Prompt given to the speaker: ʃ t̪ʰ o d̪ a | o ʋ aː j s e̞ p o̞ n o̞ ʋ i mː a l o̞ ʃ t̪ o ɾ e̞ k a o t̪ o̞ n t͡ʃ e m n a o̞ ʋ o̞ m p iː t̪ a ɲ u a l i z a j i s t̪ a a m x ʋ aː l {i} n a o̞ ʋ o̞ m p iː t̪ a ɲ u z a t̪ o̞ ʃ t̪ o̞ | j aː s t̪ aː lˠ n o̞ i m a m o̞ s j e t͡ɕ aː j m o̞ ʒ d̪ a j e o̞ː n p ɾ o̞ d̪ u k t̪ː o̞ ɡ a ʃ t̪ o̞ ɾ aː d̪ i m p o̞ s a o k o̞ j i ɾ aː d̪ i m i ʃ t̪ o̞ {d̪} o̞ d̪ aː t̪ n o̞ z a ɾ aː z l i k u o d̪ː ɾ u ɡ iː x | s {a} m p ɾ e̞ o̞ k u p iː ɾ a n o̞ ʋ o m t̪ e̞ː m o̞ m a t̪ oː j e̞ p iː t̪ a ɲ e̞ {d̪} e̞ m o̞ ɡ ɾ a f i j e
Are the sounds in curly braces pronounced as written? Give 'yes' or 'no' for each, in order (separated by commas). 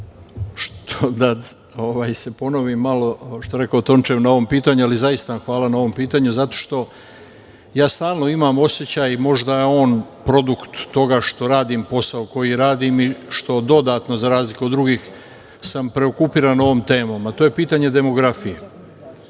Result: no, yes, yes, yes